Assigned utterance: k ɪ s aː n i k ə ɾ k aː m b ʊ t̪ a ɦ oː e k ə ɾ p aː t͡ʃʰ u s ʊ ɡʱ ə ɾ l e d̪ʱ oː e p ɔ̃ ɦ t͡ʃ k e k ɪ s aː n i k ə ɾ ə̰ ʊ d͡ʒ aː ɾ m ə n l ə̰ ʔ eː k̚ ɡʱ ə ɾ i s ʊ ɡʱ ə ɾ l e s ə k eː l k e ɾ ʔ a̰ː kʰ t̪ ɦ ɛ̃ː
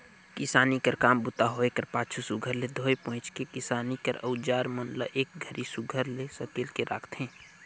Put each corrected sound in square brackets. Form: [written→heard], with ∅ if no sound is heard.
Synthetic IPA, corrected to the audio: k ɪ s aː n i k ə ɾ k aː m b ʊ t̪ a ɦ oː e k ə ɾ p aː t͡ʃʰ u s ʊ ɡʱ ə ɾ l e d̪ʱ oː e p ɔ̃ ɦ t͡ʃ k e k ɪ s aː n i k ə ɾ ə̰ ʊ d͡ʒ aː ɾ m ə n l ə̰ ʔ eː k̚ ɡʱ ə ɾ i s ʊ ɡʱ ə ɾ l e s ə k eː l k e ɾ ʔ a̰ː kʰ t̪ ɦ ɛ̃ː